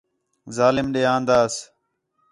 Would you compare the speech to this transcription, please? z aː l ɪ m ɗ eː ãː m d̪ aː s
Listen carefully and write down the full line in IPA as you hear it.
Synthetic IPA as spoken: z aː l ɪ m ɗ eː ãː n d̪ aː s